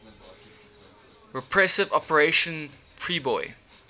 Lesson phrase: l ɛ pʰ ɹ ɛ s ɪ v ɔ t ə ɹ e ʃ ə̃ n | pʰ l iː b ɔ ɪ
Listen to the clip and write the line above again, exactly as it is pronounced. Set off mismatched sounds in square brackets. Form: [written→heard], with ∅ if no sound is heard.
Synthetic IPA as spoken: [l→ɹ] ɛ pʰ ɹ ɛ s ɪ v ɔ [t→p] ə ɹ e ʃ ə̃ n | pʰ [l→ɹ] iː b ɔ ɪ